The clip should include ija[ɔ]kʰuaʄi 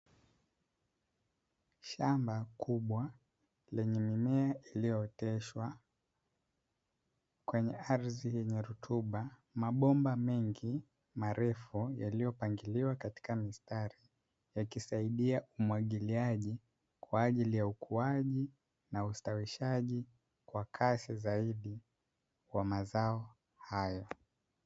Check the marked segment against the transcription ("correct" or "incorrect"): incorrect